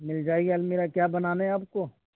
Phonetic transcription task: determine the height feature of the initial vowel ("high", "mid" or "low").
high